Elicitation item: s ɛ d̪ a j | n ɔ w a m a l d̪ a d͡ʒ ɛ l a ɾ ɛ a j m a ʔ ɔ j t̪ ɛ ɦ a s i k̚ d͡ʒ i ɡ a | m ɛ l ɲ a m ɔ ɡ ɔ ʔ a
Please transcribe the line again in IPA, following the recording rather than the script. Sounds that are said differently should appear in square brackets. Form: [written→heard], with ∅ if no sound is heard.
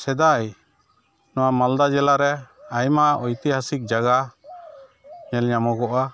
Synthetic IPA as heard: s ɛ d̪ a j | n ɔ w a m a l d̪ a d͡ʒ ɛ l a ɾ ɛ a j m a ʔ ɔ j t̪ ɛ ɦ a s i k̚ d͡ʒ [i→a] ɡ a | [m→ɲ] ɛ l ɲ a m ɔ ɡ ɔ ʔ a